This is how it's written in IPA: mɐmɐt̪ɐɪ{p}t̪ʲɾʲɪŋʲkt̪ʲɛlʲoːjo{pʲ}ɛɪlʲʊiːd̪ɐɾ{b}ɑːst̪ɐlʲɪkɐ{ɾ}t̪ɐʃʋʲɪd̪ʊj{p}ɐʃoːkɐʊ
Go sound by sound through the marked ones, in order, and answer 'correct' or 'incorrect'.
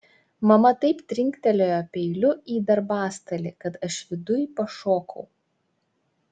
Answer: correct, correct, correct, incorrect, correct

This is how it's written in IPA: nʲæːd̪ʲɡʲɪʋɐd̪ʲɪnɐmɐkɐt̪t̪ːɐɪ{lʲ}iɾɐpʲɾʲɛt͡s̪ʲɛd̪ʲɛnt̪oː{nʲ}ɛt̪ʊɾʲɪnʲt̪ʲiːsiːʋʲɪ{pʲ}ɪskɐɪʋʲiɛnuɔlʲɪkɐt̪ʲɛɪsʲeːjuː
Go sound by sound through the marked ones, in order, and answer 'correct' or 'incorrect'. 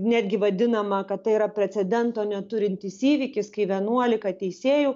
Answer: incorrect, correct, incorrect

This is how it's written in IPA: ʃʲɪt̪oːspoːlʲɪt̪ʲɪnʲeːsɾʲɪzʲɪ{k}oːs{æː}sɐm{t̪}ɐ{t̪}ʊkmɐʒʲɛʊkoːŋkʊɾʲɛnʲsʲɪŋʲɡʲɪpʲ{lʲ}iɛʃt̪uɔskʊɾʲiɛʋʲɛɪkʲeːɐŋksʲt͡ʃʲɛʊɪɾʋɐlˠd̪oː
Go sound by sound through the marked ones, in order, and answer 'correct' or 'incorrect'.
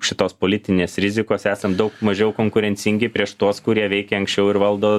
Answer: correct, correct, incorrect, incorrect, incorrect

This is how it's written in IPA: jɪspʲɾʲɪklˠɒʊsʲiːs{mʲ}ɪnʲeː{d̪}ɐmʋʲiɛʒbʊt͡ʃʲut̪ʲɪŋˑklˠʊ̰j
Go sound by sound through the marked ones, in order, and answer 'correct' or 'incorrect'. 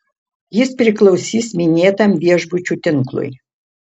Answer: correct, incorrect

